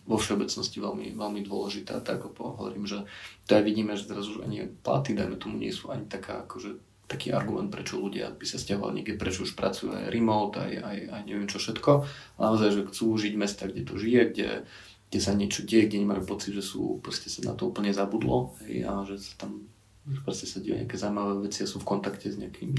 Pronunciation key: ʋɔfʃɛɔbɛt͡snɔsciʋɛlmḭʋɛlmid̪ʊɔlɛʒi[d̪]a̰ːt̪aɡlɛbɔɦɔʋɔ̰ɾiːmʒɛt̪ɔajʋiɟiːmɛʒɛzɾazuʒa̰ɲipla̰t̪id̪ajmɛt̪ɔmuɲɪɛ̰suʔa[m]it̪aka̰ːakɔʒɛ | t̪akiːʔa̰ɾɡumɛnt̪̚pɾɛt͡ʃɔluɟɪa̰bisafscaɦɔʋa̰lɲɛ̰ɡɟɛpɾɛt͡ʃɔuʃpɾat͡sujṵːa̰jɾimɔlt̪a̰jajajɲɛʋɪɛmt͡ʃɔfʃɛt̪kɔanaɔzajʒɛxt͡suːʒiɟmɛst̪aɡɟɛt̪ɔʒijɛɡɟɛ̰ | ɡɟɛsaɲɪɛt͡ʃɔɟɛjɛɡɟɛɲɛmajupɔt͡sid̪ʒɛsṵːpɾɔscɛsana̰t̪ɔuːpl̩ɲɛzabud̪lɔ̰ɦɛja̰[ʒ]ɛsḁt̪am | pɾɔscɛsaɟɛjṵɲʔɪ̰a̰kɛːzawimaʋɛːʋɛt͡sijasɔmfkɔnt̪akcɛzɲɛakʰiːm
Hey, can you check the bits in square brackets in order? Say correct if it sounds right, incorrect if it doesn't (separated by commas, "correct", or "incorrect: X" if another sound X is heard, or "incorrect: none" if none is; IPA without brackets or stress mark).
incorrect: t̪, incorrect: ɲ, correct